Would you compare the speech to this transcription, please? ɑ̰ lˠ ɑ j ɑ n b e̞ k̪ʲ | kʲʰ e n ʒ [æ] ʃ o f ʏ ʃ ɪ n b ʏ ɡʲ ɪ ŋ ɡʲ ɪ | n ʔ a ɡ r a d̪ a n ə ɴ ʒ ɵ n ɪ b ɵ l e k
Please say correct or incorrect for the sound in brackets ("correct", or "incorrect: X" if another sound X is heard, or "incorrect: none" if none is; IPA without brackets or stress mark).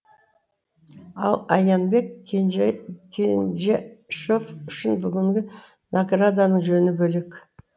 incorrect: e